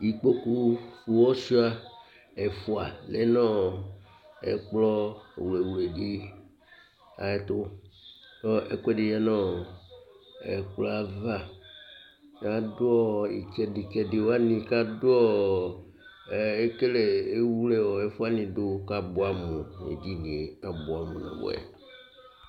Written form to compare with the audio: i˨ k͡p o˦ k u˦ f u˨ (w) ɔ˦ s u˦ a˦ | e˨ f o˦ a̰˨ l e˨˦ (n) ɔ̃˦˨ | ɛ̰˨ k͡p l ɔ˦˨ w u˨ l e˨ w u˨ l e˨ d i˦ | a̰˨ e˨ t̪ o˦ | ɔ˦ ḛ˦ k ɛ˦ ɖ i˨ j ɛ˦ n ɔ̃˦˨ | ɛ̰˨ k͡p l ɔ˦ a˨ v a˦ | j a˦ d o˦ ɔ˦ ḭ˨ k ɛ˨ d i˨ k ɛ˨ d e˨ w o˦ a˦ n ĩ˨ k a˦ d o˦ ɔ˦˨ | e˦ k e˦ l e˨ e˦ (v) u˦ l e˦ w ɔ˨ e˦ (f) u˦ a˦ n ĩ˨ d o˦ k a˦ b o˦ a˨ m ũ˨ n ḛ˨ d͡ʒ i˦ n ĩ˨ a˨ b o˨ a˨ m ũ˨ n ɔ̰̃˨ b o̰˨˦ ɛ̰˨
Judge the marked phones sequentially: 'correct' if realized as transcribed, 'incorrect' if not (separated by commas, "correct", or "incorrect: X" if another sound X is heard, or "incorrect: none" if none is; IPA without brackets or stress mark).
correct, correct, incorrect: w, correct